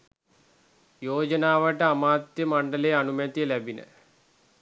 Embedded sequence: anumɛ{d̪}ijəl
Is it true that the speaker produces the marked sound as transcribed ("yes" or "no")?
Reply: no